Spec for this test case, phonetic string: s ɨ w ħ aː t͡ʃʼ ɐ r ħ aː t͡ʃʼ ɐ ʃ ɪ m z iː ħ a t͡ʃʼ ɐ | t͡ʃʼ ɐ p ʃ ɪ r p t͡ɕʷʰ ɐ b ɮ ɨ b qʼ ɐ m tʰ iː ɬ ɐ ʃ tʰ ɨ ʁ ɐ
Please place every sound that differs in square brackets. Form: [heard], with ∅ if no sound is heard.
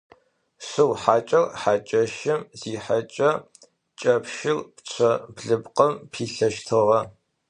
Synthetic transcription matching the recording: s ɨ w ħ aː t͡ʃʼ ɐ r ħ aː t͡ʃʼ ɐ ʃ ɪ m z iː ħ a t͡ʃʼ ɐ | t͡ʃʼ ɐ p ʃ ɪ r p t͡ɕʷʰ ɐ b ɮ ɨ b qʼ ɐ m [pʰ] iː ɬ ɐ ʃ tʰ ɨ ʁ ɐ